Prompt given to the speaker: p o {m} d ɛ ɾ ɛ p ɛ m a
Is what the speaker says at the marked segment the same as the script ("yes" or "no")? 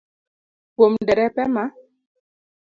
yes